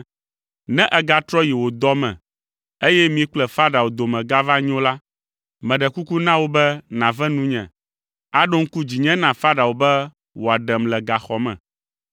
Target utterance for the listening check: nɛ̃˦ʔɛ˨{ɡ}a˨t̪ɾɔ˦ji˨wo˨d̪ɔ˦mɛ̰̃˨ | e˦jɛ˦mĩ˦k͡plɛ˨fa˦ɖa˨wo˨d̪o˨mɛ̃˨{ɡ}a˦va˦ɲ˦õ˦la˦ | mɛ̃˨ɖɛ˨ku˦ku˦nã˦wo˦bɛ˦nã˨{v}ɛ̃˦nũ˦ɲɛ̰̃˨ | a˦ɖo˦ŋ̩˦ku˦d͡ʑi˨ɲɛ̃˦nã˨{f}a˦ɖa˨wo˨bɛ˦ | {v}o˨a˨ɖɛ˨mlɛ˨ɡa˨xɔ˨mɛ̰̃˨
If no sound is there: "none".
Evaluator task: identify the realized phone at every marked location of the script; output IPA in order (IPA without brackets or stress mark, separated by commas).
ɡ, ɡ, v, f, w